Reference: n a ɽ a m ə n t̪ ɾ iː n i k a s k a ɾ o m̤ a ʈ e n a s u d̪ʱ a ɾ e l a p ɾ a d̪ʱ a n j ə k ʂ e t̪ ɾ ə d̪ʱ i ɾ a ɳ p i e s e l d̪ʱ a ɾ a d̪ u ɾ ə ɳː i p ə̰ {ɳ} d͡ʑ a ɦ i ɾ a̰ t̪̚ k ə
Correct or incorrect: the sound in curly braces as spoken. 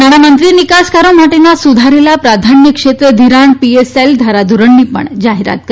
correct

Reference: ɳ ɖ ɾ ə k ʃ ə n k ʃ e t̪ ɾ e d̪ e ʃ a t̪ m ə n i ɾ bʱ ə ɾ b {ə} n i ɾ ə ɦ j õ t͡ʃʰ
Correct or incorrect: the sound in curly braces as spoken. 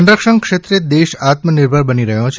correct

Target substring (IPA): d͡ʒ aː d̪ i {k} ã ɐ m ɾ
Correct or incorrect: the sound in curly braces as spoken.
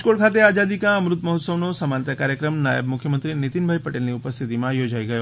correct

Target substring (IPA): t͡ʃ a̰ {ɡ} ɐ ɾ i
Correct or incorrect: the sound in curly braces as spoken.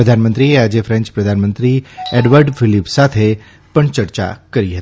incorrect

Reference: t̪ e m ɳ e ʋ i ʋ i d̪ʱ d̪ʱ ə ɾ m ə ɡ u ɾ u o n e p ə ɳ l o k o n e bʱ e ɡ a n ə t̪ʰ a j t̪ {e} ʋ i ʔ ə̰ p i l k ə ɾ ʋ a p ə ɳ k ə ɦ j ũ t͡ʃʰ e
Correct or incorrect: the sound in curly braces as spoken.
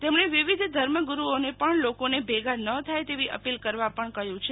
correct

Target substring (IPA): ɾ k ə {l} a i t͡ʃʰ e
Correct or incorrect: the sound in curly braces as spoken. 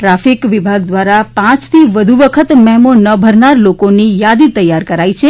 incorrect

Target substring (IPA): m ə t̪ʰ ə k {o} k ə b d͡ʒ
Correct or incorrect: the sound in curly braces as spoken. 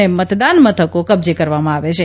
correct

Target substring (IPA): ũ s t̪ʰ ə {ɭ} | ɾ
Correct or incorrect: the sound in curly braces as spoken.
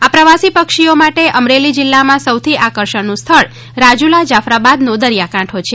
correct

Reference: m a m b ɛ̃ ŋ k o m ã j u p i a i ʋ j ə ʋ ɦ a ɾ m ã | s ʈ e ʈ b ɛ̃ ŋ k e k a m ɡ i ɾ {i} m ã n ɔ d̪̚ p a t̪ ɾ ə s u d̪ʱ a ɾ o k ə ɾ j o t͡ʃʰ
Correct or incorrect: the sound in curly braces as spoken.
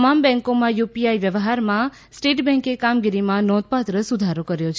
correct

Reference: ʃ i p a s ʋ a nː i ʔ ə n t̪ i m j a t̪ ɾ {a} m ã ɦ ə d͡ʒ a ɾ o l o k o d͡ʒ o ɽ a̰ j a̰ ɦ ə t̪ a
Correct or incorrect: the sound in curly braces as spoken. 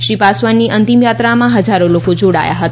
correct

